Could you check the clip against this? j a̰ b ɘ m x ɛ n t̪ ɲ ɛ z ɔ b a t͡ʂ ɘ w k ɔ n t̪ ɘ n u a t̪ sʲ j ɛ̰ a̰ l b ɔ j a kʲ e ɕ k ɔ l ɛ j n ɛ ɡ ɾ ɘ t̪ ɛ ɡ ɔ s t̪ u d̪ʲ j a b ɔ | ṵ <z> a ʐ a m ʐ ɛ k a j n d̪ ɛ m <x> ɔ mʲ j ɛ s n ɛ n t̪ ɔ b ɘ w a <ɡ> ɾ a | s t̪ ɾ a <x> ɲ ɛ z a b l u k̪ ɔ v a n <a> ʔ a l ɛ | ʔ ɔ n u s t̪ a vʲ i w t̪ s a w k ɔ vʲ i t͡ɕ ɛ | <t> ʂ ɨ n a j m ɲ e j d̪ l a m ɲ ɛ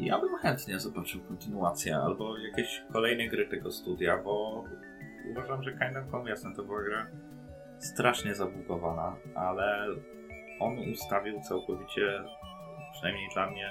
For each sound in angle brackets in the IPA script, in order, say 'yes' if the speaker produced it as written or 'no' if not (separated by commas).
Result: no, no, yes, no, yes, no